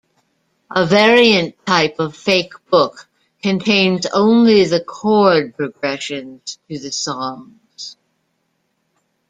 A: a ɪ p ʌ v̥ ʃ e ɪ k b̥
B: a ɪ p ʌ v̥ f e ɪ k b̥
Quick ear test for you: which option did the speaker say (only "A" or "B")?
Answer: B